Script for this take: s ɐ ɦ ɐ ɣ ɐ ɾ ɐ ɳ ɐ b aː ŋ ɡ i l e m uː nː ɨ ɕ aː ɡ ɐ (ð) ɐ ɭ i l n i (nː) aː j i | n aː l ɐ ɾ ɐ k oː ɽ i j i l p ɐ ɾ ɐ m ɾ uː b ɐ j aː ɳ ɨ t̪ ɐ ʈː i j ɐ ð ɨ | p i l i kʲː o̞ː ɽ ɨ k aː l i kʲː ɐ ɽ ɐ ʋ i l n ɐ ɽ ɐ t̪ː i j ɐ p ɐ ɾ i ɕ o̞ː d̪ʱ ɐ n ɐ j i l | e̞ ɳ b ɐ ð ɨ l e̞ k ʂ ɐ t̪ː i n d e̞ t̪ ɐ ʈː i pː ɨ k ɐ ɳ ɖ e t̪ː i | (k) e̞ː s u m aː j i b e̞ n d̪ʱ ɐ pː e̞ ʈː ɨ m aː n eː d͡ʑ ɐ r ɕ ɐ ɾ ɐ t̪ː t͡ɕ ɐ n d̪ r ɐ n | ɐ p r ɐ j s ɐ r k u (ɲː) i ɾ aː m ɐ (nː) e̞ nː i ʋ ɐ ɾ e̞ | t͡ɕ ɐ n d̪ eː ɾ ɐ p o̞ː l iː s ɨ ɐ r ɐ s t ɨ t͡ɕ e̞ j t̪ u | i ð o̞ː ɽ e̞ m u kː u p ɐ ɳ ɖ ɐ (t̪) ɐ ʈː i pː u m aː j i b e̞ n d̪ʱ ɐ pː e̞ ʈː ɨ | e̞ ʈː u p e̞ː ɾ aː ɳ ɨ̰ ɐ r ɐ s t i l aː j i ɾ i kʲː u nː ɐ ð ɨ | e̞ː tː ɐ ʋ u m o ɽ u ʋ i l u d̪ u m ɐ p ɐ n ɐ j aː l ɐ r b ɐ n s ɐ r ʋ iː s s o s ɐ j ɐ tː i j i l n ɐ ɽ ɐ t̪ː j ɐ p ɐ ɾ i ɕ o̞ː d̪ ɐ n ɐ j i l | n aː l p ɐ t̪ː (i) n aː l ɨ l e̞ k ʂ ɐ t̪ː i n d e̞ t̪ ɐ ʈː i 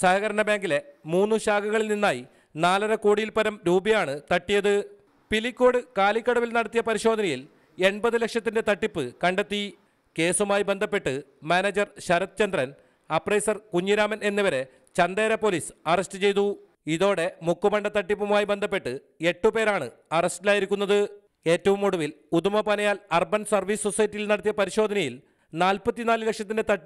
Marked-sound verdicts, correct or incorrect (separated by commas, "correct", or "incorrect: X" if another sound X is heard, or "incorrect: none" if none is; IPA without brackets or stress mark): incorrect: ɣ, correct, correct, correct, incorrect: n, correct, correct